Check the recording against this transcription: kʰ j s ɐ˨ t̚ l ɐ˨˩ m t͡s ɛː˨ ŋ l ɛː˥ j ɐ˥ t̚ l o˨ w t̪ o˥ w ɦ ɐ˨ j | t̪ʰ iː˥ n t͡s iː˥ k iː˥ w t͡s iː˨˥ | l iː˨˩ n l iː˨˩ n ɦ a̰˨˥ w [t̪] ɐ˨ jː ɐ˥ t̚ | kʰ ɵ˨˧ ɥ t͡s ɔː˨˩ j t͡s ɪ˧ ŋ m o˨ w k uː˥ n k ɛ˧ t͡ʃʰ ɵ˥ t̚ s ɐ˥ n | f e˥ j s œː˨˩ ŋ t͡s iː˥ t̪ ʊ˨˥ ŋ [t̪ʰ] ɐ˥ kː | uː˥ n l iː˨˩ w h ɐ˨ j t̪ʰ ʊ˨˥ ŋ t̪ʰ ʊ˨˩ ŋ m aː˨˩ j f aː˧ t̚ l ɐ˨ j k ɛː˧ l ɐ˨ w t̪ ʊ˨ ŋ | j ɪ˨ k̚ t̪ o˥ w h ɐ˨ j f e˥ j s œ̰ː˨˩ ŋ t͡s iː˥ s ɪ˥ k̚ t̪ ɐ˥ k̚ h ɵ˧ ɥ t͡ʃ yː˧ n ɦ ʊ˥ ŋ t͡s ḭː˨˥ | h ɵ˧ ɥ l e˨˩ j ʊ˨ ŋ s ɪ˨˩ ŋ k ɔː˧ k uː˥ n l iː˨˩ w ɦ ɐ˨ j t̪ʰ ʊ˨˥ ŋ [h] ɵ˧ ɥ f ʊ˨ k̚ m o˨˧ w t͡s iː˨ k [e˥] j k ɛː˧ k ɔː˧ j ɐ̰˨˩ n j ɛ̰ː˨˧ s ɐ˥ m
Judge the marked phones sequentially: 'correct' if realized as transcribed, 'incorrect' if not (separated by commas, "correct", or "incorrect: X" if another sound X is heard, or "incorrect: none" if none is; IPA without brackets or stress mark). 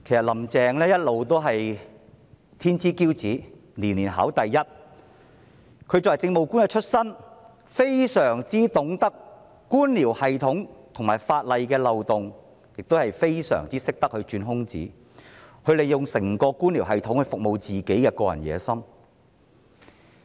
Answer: correct, incorrect: t̪, correct, incorrect: e˨˥